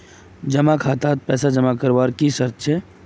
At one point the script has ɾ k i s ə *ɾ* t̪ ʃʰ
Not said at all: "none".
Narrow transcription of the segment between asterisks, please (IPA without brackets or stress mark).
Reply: ɾ